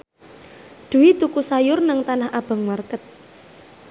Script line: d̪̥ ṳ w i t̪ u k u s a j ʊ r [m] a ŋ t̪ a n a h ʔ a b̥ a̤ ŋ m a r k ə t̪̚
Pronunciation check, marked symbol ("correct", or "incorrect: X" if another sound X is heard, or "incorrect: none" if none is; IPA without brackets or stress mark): incorrect: n